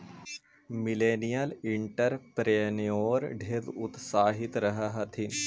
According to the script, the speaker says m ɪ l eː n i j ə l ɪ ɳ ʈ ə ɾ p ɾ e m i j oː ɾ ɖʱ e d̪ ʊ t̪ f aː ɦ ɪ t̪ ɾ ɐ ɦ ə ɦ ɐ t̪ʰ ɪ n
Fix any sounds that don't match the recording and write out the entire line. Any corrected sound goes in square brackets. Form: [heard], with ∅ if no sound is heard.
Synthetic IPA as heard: m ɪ l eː n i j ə l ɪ ɳ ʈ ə ɾ p ɾ e [n] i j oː ɾ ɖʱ e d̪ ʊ t̪ [s] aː ɦ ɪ t̪ ɾ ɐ ɦ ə ɦ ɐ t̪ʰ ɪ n